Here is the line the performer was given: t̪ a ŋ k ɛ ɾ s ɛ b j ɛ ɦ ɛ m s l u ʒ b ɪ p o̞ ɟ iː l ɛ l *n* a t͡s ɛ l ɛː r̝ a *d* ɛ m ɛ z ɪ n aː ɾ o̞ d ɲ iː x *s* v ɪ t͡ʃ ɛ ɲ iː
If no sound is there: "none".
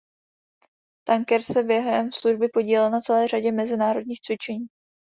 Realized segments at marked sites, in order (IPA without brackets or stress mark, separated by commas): n, ɟ, t͡s